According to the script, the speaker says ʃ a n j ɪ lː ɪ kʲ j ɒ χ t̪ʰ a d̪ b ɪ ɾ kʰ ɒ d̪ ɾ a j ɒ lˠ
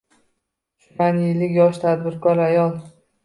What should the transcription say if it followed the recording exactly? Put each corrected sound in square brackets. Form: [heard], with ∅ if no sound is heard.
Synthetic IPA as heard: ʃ a n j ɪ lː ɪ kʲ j ɒ [ʃ] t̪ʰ a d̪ b ɪ ɾ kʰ ɒ [∅] ɾ a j ɒ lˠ